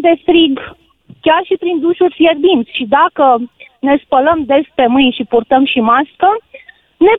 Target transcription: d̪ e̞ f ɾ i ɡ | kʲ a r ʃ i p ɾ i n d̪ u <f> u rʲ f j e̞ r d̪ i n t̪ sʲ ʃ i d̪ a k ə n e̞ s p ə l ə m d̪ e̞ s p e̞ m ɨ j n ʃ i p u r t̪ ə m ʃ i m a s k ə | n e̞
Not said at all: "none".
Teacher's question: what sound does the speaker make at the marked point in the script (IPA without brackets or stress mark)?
ʃ